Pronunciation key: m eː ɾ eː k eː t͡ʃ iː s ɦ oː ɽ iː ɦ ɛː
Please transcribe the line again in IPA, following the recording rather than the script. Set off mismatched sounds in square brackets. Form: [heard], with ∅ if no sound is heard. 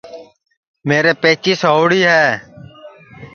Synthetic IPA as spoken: m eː ɾ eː [p] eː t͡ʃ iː s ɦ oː ɽ iː ɦ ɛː